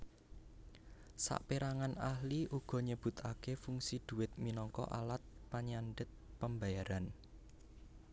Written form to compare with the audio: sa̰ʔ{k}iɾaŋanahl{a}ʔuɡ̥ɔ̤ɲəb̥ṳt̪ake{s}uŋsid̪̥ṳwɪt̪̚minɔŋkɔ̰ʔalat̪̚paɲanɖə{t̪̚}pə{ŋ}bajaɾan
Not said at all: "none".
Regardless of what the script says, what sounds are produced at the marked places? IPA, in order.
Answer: p, i, f, t̪̚, m

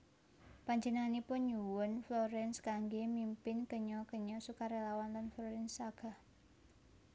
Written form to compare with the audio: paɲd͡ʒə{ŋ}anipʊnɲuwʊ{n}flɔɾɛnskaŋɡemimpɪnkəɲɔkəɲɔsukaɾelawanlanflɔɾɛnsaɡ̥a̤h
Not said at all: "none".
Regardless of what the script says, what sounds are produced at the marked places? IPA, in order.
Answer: n, n

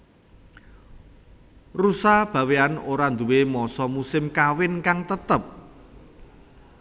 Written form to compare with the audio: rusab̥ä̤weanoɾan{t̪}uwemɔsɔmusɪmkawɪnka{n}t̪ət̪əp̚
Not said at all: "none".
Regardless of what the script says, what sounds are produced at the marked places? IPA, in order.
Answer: d̪, ŋ

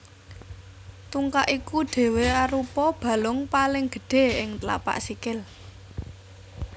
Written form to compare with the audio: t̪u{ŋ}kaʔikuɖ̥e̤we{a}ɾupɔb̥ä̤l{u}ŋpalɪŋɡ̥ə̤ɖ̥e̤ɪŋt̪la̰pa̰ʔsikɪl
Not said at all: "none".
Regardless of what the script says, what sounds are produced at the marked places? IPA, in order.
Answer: ŋ, a, ʊ

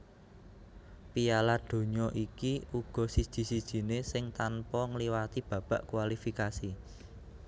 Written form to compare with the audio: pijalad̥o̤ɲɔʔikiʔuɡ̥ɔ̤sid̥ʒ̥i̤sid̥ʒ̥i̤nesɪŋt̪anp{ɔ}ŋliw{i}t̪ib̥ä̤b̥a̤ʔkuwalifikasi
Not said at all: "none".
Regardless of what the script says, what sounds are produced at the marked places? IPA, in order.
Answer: ɔ, a

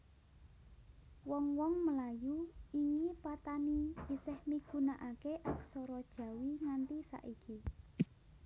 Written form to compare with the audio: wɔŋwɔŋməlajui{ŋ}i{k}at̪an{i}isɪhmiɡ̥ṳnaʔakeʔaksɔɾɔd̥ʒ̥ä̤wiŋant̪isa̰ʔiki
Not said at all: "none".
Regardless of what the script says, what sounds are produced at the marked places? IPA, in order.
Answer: ŋ, p, i

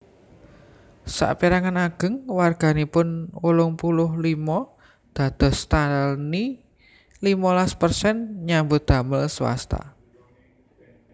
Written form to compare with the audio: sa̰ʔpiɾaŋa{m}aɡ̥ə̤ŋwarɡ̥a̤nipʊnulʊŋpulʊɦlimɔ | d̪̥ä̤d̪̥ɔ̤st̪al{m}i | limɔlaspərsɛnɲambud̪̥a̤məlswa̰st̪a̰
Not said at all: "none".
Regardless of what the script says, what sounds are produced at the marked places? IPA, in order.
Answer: n, n

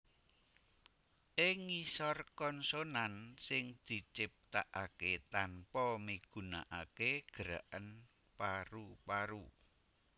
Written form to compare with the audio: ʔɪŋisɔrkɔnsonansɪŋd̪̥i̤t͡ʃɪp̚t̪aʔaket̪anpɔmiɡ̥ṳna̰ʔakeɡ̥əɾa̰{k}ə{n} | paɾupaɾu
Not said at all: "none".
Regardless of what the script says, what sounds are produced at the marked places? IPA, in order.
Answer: ʔ, n

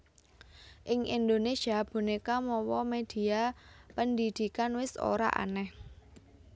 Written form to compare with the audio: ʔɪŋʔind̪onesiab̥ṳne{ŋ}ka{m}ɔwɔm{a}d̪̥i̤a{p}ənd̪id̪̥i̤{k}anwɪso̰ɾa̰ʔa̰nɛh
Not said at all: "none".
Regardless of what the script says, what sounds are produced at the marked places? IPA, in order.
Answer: none, m, e, p, k

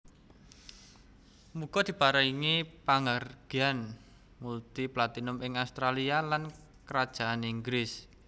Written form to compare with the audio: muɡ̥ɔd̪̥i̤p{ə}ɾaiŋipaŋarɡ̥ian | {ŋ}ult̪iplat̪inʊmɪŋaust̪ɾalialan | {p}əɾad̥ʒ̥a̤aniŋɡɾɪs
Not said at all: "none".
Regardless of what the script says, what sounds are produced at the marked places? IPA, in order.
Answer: a, m, k

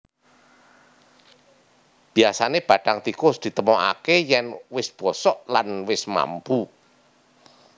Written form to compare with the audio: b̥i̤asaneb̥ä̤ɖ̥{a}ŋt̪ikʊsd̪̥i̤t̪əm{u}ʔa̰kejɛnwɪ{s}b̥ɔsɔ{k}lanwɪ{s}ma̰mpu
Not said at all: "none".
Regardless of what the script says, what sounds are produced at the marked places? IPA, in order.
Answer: a, ɔ, s, ʔ, s

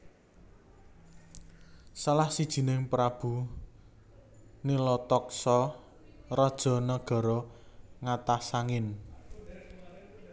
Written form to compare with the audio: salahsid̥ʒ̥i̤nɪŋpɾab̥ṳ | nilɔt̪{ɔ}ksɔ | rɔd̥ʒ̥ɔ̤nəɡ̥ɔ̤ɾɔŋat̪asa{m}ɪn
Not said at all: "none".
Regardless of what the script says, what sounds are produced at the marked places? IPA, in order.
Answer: ɔ, ŋ

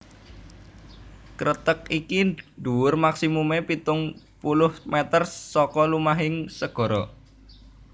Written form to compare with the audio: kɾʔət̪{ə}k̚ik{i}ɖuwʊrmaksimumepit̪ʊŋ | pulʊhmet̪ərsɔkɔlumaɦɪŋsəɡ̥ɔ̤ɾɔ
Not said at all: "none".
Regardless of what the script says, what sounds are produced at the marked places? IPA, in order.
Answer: ə, i

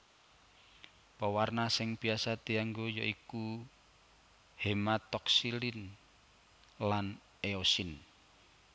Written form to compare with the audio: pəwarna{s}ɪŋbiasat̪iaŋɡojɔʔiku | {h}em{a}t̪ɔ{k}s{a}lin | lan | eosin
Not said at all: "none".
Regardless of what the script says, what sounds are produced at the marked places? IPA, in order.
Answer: s, h, a, k, i

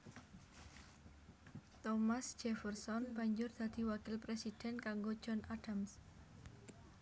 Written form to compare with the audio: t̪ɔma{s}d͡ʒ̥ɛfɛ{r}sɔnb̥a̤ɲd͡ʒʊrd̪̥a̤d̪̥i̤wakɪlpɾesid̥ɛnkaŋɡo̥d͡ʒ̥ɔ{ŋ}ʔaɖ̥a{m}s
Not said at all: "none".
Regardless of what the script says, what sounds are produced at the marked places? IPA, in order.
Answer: s, r, n, m

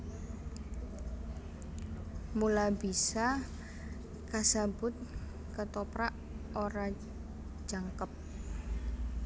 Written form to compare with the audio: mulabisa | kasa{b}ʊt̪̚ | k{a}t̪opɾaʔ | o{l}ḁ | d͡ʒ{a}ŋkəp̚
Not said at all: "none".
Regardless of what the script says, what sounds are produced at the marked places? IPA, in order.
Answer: b, ə, ɾ, a

